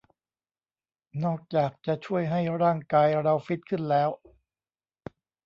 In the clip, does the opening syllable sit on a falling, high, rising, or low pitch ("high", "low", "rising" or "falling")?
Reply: falling